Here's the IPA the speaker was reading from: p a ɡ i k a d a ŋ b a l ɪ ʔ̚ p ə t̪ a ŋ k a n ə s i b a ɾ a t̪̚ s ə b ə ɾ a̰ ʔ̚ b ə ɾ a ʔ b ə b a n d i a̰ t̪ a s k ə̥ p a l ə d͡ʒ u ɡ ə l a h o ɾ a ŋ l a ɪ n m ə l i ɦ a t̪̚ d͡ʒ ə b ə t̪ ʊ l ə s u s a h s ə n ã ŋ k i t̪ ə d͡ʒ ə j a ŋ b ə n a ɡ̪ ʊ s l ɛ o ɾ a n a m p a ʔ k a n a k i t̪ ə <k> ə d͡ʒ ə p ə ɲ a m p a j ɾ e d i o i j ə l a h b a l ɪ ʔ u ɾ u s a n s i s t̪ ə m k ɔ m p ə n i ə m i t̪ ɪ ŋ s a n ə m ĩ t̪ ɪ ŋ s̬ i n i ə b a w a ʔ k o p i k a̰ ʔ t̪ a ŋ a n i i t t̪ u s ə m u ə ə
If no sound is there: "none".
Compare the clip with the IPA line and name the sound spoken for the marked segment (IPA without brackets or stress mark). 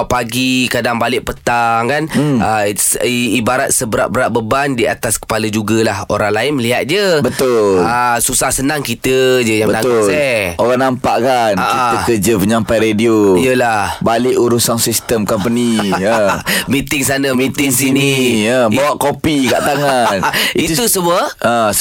k